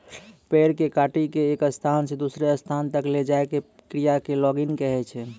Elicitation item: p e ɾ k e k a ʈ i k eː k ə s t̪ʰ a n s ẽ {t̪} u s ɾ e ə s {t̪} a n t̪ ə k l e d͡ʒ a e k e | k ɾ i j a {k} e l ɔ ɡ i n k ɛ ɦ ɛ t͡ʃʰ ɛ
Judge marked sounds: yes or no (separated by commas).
no, no, yes